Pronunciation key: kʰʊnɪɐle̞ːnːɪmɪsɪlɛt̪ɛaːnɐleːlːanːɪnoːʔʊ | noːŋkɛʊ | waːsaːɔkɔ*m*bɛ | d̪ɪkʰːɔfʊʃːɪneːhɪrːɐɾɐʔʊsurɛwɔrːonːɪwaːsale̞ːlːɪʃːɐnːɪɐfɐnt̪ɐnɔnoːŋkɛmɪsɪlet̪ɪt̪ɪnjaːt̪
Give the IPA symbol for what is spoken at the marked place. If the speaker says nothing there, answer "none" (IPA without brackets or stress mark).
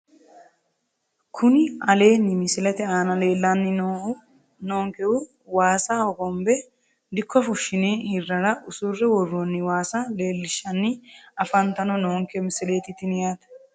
m